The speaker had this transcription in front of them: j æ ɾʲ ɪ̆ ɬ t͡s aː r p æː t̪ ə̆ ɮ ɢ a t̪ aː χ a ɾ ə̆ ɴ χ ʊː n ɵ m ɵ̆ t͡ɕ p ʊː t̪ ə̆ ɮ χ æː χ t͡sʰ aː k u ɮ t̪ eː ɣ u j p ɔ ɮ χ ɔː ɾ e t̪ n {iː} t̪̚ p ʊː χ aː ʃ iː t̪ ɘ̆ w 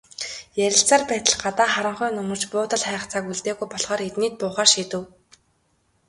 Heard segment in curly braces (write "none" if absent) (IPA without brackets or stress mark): iː